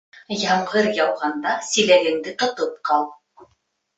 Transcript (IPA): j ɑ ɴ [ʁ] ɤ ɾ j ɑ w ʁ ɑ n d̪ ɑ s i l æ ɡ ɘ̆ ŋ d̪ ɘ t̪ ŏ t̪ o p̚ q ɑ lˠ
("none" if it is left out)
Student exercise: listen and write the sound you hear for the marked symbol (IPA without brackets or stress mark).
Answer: ʁ